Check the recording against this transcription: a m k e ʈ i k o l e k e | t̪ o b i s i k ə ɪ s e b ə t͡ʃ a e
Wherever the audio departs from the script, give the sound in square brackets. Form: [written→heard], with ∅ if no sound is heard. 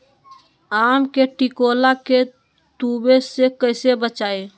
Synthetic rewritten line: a m k e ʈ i k o l [e→a] k e | t̪ [o→u] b [i→e] s [i→e] k ə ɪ s e b ə t͡ʃ a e